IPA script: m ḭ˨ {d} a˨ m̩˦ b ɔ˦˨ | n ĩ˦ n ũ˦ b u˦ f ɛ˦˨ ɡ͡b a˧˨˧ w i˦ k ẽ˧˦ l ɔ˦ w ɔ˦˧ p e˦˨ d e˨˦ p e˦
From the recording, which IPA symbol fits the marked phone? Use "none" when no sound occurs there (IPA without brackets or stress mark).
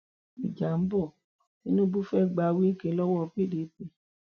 d͡ʒ